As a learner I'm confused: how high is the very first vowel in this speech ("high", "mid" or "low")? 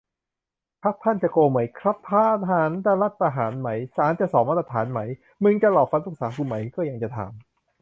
low